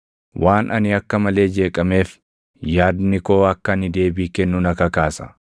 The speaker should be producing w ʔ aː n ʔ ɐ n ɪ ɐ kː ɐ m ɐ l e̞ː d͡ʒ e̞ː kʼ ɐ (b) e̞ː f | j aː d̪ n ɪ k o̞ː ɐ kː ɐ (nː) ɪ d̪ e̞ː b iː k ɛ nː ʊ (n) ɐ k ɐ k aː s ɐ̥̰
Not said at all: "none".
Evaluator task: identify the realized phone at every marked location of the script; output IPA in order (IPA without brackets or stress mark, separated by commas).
m, n, n